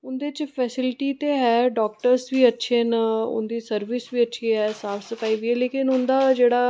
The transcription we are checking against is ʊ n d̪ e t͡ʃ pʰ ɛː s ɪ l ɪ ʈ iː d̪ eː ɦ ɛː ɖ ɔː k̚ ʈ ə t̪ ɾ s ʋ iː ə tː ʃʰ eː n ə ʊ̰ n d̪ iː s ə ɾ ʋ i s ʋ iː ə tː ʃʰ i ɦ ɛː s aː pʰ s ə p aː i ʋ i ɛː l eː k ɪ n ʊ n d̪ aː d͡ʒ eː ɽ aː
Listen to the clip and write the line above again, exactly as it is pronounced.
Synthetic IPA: ʊ n d̪ e t͡ʃ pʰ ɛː s ɪ l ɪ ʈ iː t̪ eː ɦ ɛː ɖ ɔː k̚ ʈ ə ɾ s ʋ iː ə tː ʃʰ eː n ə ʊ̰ n d̪ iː s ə ɾ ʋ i s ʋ iː ə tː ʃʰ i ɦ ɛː s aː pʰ s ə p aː i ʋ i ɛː l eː k ɪ n ʊ n d̪ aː d͡ʒ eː ɽ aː